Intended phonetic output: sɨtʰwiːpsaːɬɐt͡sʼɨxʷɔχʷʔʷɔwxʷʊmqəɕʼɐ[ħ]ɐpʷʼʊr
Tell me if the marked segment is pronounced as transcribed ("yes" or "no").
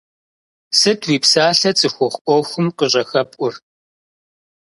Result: no